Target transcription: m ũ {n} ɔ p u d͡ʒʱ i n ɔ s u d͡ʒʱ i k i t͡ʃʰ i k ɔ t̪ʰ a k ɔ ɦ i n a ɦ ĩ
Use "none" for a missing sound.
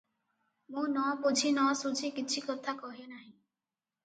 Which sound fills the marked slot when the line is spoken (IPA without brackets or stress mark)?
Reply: n